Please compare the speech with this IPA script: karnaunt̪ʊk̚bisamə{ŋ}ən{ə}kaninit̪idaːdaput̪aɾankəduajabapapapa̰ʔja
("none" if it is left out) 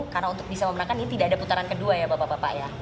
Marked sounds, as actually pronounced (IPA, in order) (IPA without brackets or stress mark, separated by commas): m, a